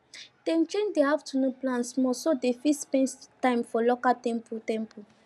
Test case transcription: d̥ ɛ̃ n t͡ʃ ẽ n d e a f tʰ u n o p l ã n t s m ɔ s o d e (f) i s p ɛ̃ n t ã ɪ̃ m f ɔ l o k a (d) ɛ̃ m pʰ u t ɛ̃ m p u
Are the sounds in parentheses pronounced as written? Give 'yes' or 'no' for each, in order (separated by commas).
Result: yes, no